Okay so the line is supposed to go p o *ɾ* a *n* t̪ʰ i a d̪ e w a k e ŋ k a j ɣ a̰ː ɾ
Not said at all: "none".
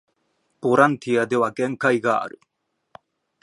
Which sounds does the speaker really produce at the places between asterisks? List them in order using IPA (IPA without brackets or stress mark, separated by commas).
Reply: ɾ, n